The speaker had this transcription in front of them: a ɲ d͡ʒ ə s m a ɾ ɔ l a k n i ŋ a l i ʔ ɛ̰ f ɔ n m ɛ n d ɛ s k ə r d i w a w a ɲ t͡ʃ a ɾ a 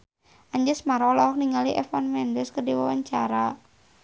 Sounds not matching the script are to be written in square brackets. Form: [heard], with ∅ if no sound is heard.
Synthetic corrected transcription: a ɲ d͡ʒ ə s m a ɾ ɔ l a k n i ŋ a l i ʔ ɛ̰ f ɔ n m ɛ n d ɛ s k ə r d i w a w a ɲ t͡ʃ a ɾ a